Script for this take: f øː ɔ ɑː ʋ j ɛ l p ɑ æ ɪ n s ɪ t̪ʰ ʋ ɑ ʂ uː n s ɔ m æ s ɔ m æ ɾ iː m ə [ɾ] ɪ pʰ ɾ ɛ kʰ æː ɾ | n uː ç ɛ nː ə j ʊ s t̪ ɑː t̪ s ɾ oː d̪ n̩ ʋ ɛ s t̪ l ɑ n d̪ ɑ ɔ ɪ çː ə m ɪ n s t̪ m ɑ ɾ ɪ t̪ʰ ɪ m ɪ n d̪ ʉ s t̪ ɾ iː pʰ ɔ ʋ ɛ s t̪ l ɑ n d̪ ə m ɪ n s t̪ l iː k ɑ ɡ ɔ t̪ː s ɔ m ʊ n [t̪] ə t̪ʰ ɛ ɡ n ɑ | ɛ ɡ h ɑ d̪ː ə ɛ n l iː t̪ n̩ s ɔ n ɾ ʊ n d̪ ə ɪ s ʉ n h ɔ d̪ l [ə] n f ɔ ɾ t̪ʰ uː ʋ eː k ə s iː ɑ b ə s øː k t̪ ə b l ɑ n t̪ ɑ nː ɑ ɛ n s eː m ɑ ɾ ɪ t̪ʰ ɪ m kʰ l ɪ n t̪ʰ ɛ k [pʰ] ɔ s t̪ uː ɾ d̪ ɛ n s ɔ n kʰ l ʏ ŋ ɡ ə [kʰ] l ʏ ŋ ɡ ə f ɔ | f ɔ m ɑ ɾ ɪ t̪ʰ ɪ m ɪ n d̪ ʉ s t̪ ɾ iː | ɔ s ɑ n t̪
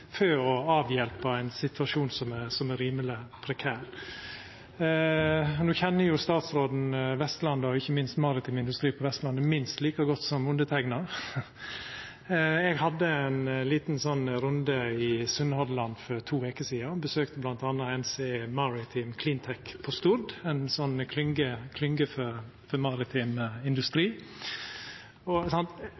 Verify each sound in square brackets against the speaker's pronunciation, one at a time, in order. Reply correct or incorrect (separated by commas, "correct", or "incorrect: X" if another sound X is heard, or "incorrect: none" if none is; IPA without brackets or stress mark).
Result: incorrect: l, incorrect: d̪, incorrect: ɑ, correct, correct